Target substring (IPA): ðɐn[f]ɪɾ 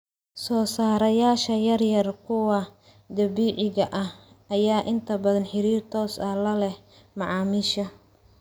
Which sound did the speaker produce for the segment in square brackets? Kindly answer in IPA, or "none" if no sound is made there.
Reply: ħ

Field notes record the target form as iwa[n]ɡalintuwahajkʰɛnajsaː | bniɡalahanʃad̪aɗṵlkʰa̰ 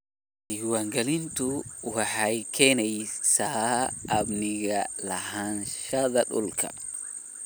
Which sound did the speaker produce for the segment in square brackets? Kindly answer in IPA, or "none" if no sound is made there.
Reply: ŋ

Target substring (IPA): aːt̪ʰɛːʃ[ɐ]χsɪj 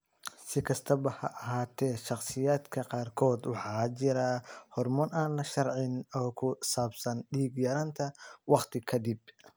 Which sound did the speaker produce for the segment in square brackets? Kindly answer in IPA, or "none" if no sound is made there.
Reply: ɑ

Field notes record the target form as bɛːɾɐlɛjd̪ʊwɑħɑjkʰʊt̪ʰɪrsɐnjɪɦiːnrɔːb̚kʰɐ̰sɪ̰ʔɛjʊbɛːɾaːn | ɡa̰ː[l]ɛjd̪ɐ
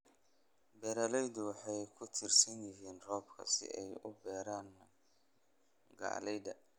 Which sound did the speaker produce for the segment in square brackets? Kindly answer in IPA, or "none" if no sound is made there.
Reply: l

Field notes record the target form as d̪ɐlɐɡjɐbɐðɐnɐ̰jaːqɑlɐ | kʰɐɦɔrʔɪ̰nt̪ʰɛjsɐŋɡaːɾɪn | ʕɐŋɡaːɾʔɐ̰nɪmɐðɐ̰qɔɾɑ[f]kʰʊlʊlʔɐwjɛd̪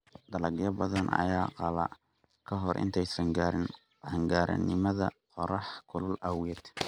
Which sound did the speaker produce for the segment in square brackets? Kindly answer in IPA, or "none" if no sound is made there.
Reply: ħ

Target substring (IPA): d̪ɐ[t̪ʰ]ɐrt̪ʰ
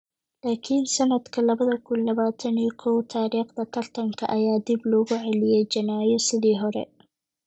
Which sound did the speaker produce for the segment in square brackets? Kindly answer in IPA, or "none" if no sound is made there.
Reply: t̪ʰ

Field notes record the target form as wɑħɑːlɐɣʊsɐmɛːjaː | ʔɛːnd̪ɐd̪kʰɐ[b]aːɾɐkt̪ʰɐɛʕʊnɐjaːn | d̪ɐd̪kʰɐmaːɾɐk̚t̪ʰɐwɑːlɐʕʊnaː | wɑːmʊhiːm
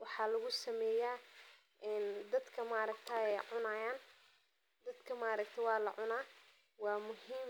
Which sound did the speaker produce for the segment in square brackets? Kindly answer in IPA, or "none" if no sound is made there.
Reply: m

